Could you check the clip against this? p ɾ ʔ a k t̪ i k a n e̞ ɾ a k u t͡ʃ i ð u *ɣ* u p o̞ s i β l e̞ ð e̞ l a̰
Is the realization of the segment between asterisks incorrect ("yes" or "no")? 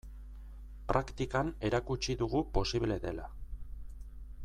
no